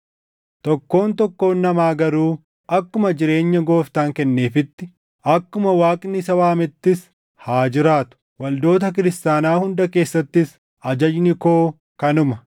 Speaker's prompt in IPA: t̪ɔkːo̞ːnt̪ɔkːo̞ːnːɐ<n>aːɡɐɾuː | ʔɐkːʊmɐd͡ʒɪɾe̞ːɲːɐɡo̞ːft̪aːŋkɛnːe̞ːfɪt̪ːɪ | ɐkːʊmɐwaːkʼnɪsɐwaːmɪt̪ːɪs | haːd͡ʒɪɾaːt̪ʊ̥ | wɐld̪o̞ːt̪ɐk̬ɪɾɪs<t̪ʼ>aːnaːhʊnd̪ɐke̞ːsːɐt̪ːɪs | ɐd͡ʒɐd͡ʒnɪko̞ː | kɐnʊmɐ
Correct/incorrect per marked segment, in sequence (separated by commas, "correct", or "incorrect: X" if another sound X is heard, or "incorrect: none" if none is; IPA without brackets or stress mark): incorrect: m, incorrect: t̪